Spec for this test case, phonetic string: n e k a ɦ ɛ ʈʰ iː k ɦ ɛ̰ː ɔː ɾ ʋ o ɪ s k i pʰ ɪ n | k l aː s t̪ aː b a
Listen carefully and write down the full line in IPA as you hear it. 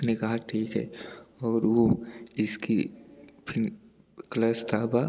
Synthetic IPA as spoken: n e k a ɦ a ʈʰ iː k ɦ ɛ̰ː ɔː ɾ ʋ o ɪ s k i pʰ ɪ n | k l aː s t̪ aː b a